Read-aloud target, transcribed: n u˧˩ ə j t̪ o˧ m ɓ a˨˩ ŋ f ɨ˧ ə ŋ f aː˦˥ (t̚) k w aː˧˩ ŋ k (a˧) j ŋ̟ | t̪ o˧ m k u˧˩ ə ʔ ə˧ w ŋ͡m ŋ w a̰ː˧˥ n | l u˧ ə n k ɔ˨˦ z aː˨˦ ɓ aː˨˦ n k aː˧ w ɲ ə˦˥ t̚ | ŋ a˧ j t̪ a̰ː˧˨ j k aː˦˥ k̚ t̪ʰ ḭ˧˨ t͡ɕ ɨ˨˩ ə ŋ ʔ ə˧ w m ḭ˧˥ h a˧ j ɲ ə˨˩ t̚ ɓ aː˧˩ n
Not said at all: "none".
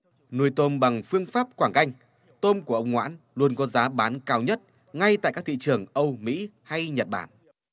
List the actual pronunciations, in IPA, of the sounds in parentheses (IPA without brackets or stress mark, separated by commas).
p̚, a˧